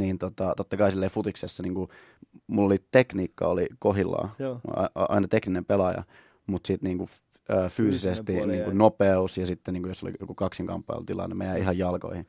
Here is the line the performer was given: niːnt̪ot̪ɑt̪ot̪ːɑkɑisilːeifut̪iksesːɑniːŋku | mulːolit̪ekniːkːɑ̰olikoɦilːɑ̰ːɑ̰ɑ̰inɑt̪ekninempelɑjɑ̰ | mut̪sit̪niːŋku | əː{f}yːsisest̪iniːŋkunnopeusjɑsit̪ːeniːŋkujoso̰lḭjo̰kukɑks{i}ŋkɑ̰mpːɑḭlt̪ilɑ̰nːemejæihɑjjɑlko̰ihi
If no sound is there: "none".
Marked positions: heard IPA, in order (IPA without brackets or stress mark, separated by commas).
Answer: f, i